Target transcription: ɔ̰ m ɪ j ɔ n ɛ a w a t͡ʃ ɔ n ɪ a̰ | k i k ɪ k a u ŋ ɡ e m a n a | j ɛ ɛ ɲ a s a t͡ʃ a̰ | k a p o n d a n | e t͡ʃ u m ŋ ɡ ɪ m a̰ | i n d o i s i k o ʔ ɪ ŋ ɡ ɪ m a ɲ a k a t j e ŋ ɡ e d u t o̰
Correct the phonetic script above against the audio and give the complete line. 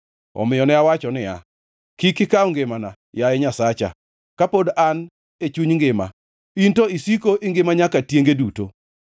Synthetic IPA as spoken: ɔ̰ m ɪ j ɔ n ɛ a w a t͡ʃ ɔ n ɪ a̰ | k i k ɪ k a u ŋ ɡ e m a n a | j a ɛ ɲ a s a t͡ʃ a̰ | k a p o d a n | e t͡ʃ u ɲ ŋ ɡ ɪ m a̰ | i n t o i s i k o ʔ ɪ ŋ ɡ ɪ m a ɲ a k a t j e ŋ ɡ e d u t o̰